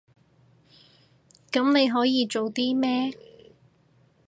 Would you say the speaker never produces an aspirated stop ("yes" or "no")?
yes